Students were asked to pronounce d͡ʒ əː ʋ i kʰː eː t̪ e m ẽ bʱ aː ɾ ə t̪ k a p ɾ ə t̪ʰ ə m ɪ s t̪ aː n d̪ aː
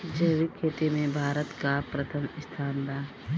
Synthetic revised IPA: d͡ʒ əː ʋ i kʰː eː t̪ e m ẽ bʱ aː ɾ ə t̪ k a p ɾ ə t̪ʰ ə m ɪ s t̪ʰ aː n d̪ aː